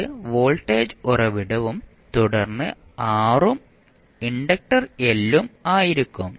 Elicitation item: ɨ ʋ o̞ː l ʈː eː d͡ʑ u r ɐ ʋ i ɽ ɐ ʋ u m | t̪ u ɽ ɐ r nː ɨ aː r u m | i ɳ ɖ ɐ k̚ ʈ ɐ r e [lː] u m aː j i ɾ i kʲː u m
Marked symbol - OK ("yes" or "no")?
yes